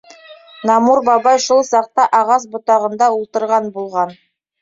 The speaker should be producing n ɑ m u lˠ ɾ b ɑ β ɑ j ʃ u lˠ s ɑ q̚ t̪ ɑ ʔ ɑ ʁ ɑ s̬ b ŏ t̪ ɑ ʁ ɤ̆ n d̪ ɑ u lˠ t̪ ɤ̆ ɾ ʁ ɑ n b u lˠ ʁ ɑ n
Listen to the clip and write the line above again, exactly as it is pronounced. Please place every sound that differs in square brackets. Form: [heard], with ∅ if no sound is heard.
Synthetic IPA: n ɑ m u [∅] ɾ b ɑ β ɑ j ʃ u lˠ s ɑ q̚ t̪ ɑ ʔ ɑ ʁ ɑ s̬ b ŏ t̪ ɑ ʁ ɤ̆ n d̪ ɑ u lˠ t̪ ɤ̆ ɾ ʁ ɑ n b u lˠ ʁ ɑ n